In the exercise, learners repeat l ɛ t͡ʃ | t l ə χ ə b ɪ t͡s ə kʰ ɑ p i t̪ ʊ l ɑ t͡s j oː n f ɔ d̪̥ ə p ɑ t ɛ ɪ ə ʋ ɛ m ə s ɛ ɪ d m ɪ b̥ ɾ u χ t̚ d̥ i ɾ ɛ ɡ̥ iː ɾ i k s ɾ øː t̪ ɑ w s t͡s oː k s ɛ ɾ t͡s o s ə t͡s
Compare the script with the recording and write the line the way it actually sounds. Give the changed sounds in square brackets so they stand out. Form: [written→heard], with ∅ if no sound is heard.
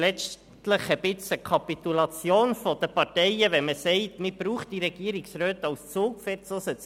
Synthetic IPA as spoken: l ɛ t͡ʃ | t l ə χ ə b ɪ t͡s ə kʰ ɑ p i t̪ [ʊ→u] l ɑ t͡s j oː n f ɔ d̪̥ ə p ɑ t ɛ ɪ ə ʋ ɛ m ə s ɛ ɪ [d→t] m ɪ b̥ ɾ [u→uː] χ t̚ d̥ i ɾ ɛ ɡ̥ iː ɾ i k s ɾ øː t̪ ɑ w s t͡s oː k [s→f] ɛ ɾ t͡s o s ə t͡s

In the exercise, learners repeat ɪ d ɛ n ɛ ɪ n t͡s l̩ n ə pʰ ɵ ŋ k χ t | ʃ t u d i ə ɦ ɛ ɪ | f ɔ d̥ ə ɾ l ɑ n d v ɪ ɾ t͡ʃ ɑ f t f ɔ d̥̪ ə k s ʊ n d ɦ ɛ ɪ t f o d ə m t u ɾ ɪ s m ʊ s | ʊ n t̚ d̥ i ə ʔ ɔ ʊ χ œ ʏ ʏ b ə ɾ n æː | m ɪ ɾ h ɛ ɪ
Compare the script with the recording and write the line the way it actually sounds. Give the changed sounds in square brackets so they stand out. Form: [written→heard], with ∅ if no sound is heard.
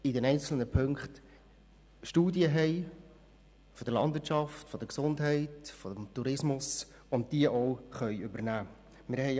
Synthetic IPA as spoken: ɪ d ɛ n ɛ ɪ n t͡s l̩ n ə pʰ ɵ ŋ k χ t | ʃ t [u→uː] d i ə ɦ ɛ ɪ | f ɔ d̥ ə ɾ l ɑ n d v ɪ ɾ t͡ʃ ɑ f t f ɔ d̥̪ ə k s ʊ n d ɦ ɛ ɪ t f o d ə m t u ɾ ɪ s m ʊ s | ʊ n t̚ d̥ i ə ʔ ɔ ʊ χ œ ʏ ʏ b ə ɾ n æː | m ɪ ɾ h ɛ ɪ

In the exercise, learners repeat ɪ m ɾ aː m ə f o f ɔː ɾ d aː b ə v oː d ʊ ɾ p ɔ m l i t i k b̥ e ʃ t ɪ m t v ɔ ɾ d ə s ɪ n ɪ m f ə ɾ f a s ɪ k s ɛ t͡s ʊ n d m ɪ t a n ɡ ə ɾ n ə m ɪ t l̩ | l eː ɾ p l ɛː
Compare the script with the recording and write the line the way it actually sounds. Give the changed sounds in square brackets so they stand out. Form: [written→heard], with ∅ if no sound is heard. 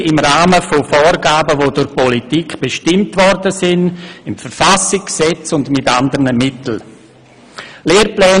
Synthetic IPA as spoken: ɪ m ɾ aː m ə f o f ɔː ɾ [d→ɡ] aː b ə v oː d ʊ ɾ p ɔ [m→∅] l i t i k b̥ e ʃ t ɪ m t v ɔ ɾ d ə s ɪ n ɪ m f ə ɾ f a s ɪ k s ɛ t͡s ʊ n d m ɪ t a n [ɡ→d] ə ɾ n ə m ɪ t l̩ | l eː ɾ p l ɛː

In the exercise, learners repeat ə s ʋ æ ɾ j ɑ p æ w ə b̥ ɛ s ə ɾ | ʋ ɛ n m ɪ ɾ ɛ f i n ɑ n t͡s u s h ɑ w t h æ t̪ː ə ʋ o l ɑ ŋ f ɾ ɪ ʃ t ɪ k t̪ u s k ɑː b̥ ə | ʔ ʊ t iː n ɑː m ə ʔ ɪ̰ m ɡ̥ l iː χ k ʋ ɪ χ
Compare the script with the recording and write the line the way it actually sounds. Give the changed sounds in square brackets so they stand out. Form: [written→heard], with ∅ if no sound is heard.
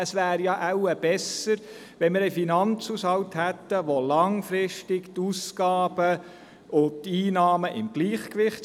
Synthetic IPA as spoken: ə s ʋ [æ→æː] ɾ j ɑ [p→ʔ] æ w ə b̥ ɛ s ə ɾ | ʋ ɛ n m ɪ ɾ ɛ f i n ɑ n t͡s u s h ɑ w t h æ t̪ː ə ʋ o l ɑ ŋ f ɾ ɪ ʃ t ɪ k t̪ u s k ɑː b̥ ə | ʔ ʊ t iː n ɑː m ə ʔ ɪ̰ m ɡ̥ l iː χ k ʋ ɪ χ

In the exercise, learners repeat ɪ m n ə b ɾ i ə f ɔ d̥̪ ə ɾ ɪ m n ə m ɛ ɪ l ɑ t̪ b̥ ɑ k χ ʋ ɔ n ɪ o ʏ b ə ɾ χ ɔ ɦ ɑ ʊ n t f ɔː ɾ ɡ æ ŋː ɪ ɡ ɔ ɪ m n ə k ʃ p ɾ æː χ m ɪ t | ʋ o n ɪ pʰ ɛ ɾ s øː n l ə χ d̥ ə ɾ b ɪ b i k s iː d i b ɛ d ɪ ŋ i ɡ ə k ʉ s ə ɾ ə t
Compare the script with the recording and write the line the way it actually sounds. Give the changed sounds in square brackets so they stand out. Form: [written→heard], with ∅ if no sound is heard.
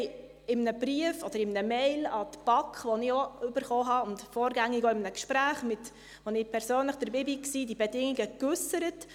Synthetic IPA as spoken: ɪ m n ə b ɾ i ə f ɔ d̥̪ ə ɾ ɪ m n ə m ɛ ɪ l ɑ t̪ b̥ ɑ k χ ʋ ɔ n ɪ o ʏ b ə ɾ χ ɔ ɦ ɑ ʊ n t f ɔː ɾ ɡ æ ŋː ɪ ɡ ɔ ɪ m n ə k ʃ p ɾ æː χ m ɪ t | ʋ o n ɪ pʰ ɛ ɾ s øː n l ə χ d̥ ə ɾ b ɪ b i k s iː d i b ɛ d ɪ ŋ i ɡ ə k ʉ s ə ɾ ə t

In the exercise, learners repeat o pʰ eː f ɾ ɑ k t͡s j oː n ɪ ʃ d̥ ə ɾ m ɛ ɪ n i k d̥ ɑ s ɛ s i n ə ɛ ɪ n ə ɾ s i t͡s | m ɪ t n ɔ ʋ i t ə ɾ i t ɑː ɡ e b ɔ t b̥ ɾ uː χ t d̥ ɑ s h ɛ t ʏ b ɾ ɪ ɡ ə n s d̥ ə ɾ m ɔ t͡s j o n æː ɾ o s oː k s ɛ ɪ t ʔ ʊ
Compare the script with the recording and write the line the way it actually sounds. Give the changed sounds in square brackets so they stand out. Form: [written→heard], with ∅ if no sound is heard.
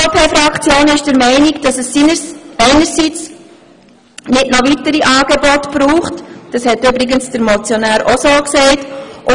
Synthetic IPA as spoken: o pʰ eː f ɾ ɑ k t͡s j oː n ɪ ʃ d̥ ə ɾ m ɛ ɪ n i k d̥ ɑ s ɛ s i n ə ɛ ɪ n ə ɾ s i t͡s | [m→n] ɪ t n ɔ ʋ i t ə ɾ i [t→ʔ] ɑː ɡ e b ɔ t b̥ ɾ uː χ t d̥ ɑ s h ɛ t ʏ b ɾ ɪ ɡ ə n s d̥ ə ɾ m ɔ t͡s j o n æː ɾ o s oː k s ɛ ɪ t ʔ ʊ

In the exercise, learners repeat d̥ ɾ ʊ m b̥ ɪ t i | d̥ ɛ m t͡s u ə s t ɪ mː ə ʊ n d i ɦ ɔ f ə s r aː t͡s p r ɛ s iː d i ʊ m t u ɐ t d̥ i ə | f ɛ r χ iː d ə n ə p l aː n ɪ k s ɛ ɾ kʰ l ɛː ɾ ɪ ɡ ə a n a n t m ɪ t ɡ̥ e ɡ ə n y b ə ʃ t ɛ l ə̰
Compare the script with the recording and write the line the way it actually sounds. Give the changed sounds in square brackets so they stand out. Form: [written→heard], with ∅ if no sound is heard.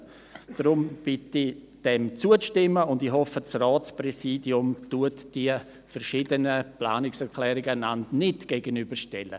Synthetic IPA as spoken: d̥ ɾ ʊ m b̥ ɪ t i | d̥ ɛ m t͡s u ə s t ɪ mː ə ʊ n d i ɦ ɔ f ə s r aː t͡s p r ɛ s iː d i ʊ m t u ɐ t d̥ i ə | f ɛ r [χ→ʃ] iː d ə n ə p l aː n ɪ k s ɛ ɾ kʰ l ɛː ɾ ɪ ɡ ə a n a n t [m→n] ɪ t ɡ̥ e ɡ ə n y b ə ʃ t ɛ l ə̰

